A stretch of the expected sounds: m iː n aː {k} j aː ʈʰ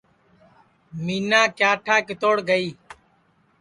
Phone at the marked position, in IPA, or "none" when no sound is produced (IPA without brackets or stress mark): k